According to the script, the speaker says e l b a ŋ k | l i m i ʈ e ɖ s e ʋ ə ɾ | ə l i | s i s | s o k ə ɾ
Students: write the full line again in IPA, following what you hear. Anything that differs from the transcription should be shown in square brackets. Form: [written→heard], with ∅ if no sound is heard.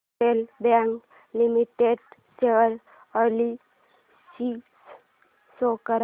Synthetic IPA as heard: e l b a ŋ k | l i m i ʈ e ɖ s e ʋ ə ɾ | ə l i | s i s | s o k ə ɾ